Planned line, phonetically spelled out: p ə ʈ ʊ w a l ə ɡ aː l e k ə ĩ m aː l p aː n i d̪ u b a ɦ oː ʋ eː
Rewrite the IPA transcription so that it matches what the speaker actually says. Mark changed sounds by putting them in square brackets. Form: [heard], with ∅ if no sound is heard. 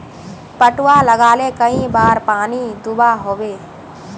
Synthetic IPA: p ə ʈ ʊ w a l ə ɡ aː l e k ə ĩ [b] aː [ɾ] p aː n i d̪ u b a ɦ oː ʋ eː

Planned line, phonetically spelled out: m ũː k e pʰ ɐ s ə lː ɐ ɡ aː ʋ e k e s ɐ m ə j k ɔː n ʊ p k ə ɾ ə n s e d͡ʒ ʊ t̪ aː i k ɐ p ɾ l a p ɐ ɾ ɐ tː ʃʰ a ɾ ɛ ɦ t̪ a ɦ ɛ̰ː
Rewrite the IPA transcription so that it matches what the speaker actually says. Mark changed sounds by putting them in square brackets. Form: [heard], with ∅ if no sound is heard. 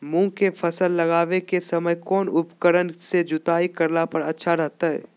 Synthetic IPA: m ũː k e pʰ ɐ s ə lː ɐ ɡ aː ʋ e k e s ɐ m ə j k ɔː n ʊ p k ə ɾ ə n s e d͡ʒ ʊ t̪ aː i k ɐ [∅] ɾ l a p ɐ ɾ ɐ tː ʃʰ a ɾ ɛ ɦ t̪ a ɦ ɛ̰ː

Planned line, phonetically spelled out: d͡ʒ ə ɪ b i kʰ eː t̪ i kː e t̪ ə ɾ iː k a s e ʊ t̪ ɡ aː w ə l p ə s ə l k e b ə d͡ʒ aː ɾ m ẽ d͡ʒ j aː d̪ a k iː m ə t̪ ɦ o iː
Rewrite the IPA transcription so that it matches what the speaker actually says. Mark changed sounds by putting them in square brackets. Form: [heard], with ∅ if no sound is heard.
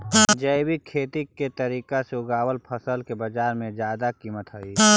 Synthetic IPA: d͡ʒ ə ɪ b i kʰ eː t̪ i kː e t̪ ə ɾ iː k a s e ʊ [∅] ɡ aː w ə l [pʰ] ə s ə l k e b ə d͡ʒ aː ɾ m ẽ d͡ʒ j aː d̪ a k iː m ə t̪ ɦ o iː

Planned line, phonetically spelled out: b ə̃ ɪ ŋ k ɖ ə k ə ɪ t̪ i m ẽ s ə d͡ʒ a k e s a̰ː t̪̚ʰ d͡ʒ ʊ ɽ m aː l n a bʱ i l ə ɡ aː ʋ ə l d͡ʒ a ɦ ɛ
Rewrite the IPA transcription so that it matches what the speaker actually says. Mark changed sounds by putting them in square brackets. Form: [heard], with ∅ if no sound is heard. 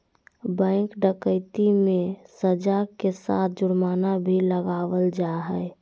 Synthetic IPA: b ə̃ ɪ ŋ k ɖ ə k ə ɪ t̪ i m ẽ s ə d͡ʒ a k e s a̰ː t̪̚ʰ d͡ʒ ʊ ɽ m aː [∅] n a bʱ i l ə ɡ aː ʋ ə l d͡ʒ a ɦ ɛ

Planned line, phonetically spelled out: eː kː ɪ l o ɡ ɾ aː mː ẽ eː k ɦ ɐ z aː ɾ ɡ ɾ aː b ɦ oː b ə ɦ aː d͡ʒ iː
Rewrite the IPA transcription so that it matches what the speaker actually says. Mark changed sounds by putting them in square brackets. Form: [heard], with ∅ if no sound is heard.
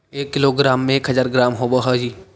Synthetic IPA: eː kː ɪ l o ɡ ɾ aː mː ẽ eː k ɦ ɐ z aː ɾ ɡ ɾ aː [m] ɦ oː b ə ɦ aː d͡ʒ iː

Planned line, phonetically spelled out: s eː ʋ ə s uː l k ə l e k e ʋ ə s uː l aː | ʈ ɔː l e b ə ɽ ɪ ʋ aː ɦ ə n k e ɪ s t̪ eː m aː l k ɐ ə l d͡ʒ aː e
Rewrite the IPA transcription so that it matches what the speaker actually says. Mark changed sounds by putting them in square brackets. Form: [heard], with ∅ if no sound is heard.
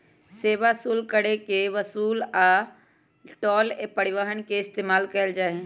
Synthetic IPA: s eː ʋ [a] s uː l k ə [ɽ] e k e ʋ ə s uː l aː | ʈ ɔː l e [p] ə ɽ ɪ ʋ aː ɦ ə n k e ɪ s t̪ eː m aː l k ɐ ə l d͡ʒ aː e

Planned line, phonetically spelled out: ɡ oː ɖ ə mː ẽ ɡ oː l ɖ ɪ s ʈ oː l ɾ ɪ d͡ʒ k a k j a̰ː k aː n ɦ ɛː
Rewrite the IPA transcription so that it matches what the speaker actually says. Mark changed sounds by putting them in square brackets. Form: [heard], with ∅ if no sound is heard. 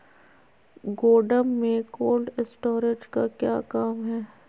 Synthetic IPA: ɡ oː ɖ ə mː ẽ [k] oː l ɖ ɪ s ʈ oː [∅] ɾ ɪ d͡ʒ k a k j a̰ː k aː [m] ɦ ɛː

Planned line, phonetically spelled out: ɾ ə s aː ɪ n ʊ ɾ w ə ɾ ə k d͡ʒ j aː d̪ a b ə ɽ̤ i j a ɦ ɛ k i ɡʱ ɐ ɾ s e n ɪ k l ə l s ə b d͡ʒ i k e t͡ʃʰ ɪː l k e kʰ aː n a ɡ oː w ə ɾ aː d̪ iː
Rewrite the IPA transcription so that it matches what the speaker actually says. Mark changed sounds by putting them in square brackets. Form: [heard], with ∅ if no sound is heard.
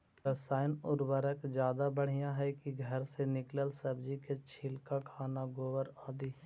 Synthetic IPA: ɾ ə s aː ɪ n ʊ ɾ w ə ɾ ə k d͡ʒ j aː d̪ a b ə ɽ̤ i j a ɦ ɛ k i ɡʱ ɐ ɾ s e n ɪ k l ə l s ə b d͡ʒ i k e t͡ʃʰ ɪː l k [a] kʰ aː n a ɡ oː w ə ɾ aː d̪ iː

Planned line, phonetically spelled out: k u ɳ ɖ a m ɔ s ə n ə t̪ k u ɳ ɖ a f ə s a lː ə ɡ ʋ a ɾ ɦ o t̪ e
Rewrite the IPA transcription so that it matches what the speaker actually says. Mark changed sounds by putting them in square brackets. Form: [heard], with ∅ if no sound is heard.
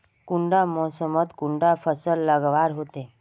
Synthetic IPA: k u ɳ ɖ a m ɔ s ə [m] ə t̪ k u ɳ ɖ a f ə s [ə] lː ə ɡ ʋ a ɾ ɦ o t̪ e

